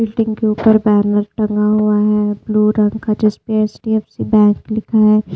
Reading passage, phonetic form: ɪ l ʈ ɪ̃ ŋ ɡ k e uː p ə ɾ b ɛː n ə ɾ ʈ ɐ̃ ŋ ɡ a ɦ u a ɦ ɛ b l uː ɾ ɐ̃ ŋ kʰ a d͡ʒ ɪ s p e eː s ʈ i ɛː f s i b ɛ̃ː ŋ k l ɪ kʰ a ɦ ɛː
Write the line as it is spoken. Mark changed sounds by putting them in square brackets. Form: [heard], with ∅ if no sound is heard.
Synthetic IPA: ɪ l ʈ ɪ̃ ŋ ɡ k e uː p ə ɾ b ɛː n ə ɾ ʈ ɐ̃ ŋ ɡ a ɦ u a ɦ ɛ b l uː ɾ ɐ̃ ŋ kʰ a d͡ʒ ɪ s p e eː s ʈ i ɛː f s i b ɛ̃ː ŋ k l ɪ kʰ a ɦ ɛː